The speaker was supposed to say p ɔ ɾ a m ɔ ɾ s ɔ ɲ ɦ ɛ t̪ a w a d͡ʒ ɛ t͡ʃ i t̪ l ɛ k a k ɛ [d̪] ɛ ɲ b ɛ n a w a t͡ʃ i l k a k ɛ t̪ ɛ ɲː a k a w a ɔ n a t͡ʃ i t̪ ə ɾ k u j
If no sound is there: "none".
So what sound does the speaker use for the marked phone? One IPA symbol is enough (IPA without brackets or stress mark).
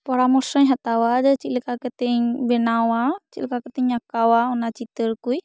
t̪